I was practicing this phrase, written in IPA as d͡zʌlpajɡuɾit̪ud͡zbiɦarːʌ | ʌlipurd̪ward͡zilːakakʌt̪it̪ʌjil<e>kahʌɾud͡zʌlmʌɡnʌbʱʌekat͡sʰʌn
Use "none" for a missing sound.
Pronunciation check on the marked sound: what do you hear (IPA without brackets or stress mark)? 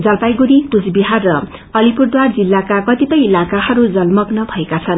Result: a